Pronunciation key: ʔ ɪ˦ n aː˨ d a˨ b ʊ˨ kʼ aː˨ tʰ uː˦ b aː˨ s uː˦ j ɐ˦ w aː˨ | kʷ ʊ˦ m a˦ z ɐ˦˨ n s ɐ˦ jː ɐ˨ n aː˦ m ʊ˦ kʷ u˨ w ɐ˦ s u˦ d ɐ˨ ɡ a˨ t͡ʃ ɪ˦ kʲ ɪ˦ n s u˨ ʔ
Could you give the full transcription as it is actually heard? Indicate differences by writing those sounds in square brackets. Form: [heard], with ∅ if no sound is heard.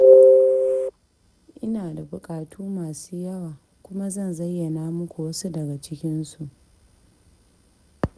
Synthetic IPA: ʔ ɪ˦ n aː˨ d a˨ b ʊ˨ kʼ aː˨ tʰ uː˦ [m] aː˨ s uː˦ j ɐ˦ w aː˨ | kʷ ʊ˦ m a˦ z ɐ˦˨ n [z] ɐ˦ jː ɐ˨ n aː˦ m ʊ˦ kʷ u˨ w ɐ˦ s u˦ d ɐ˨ ɡ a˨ t͡ʃ ɪ˦ kʲ ɪ˦ n s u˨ ʔ